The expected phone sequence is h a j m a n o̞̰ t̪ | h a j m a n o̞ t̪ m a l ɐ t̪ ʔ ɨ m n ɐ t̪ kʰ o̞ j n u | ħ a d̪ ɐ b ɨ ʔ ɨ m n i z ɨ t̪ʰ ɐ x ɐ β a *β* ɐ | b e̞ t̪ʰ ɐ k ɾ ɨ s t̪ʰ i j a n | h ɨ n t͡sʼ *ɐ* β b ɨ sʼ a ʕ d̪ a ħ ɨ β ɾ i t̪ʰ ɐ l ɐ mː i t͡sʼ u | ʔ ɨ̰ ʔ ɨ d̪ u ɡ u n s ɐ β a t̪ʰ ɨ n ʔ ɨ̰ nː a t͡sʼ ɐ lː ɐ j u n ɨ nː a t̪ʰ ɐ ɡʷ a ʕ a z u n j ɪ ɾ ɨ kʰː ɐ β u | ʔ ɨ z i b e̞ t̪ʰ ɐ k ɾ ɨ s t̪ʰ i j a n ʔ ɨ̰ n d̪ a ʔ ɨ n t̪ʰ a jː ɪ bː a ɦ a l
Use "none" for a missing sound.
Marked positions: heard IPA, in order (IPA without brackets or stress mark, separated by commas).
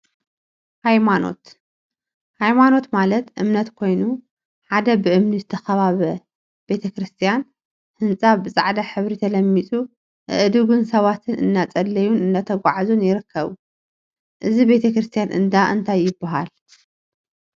β, a